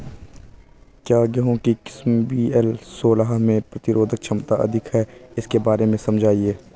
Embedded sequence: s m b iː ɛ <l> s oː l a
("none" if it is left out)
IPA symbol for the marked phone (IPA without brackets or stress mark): l